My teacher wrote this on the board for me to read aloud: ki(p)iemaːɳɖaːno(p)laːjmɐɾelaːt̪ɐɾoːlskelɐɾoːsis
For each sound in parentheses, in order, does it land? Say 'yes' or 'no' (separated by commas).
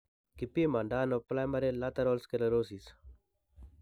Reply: yes, yes